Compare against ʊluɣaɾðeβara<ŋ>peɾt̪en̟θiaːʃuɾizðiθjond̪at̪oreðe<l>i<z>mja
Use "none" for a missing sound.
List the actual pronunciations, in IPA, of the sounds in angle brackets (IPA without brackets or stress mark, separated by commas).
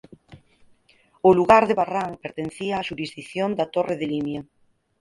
ŋ, l, none